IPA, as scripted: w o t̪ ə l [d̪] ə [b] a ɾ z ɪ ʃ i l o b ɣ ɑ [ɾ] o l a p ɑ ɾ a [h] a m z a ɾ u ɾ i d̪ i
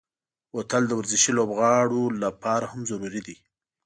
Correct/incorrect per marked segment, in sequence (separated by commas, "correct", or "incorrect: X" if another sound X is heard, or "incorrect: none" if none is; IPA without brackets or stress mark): correct, incorrect: w, incorrect: ɽ, correct